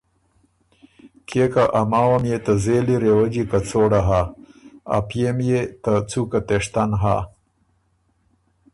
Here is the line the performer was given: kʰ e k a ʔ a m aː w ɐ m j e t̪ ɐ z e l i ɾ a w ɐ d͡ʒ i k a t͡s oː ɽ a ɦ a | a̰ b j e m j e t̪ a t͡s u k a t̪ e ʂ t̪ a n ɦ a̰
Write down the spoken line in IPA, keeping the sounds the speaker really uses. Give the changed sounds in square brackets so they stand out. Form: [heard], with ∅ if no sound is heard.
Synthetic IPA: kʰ e k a ʔ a m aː w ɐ m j e t̪ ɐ z e l i ɾ [e] w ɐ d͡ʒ i k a t͡s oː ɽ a ɦ a | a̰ [p] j e m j e t̪ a t͡s u k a t̪ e ʂ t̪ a n ɦ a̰